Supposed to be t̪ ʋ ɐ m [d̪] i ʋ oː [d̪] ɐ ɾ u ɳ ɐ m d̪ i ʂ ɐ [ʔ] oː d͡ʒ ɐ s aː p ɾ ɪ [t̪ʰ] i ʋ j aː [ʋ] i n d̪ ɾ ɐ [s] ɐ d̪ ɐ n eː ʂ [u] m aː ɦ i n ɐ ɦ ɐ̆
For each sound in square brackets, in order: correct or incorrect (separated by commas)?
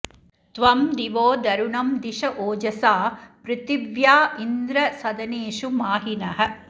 correct, correct, correct, incorrect, incorrect, correct, correct